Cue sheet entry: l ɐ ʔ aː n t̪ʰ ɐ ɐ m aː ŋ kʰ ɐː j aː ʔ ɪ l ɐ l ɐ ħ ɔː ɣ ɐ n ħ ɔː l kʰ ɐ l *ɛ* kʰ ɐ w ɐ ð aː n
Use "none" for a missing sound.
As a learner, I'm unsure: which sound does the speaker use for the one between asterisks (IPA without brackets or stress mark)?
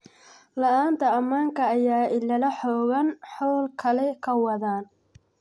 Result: ɛ